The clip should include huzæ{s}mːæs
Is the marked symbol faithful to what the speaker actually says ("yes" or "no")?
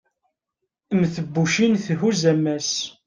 no